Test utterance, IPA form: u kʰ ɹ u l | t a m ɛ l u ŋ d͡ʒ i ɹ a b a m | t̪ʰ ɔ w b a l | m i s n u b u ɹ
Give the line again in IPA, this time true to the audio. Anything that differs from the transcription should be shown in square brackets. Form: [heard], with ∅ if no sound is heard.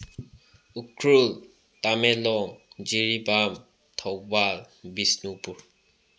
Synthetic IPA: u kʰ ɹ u l | t a m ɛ l [ɔ] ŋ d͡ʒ i ɹ [i] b a m | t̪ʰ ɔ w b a l | [b] i s n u [p] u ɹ